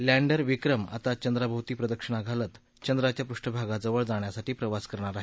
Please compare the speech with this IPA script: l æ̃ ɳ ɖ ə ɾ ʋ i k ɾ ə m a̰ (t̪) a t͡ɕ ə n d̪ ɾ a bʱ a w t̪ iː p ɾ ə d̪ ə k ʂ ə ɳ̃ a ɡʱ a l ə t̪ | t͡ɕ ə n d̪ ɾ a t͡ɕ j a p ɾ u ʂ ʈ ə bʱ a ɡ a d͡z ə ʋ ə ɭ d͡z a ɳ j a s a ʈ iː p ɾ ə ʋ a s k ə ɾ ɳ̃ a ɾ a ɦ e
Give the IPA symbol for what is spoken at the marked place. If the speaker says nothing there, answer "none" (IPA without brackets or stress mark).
t̪